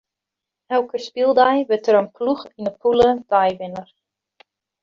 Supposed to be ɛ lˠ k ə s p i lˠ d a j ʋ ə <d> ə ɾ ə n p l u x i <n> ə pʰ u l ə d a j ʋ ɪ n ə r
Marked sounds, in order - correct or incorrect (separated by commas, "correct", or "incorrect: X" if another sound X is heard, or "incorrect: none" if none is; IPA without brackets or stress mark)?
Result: incorrect: t, correct